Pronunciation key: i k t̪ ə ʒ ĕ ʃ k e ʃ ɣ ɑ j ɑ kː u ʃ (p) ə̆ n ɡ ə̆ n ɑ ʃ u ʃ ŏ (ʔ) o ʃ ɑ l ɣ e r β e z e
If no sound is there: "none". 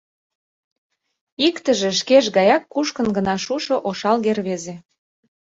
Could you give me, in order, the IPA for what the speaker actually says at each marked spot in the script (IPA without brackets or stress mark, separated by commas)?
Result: k, ʔ